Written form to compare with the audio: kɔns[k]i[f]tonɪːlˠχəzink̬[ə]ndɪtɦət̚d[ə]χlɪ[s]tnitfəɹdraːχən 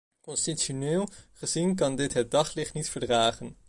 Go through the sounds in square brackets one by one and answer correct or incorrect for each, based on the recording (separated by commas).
incorrect, incorrect, incorrect, incorrect, incorrect